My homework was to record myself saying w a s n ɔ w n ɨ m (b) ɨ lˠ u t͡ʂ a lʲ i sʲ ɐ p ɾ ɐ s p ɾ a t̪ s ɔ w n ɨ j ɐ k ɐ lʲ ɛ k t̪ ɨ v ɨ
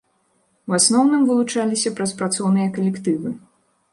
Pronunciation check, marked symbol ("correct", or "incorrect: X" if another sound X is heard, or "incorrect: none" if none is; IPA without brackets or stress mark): incorrect: v